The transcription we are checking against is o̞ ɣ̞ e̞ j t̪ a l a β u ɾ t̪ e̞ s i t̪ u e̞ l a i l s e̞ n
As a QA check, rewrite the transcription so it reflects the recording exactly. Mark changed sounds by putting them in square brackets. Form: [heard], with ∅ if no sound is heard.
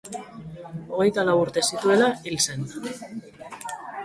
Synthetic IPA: o̞ ɣ̞ e̞ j t̪ a l a [w] u ɾ t̪ e̞ s i t̪ u e̞ l a i l s e̞ n